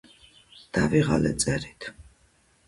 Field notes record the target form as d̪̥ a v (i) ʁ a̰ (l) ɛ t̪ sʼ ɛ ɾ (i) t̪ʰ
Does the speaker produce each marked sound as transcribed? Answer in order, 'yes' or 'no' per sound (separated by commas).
yes, yes, yes